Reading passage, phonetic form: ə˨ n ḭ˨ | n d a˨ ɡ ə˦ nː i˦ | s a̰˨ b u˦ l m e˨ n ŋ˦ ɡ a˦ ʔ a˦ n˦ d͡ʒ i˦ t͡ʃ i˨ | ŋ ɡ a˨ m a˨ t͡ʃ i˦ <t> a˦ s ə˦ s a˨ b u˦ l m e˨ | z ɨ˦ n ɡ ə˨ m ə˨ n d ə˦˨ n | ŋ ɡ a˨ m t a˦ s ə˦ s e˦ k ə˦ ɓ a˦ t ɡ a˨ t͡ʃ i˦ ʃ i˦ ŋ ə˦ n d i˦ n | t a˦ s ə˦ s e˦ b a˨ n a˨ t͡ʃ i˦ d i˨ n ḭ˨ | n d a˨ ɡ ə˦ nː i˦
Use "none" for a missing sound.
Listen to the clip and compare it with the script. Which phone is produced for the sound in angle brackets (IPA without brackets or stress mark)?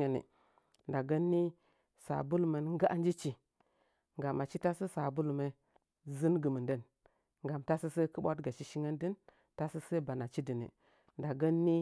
t